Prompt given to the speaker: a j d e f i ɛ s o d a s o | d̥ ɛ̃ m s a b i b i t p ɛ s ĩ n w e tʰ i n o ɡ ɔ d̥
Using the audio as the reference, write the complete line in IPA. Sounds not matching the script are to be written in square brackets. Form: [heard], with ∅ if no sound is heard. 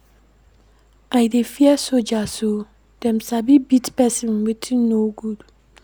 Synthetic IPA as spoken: a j d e f i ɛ s o [d͡ʒ] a s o | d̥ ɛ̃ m s a b i b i t p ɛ s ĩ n w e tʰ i n o ɡ [u] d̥